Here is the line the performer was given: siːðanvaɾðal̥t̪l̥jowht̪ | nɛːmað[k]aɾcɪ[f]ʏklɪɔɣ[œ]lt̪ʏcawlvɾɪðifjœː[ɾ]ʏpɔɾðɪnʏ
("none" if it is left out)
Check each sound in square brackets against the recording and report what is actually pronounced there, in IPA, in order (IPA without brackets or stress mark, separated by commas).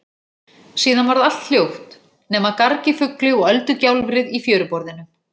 k, f, œ, ɾ